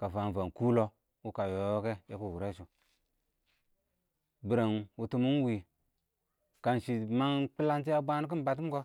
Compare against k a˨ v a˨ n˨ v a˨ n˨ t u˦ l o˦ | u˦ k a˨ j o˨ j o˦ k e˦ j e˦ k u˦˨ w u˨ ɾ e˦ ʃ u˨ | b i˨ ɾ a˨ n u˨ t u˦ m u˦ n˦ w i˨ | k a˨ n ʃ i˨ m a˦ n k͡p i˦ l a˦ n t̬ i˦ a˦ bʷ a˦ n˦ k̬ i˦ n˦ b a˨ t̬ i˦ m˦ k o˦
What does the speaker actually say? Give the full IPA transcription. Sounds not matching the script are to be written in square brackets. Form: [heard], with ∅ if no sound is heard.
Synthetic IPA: k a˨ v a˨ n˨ v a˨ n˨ [k] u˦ l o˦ | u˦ k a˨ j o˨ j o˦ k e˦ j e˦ k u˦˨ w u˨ ɾ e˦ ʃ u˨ | b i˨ ɾ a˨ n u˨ t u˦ m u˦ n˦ w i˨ | k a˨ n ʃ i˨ m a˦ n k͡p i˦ l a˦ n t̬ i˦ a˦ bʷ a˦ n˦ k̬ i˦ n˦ b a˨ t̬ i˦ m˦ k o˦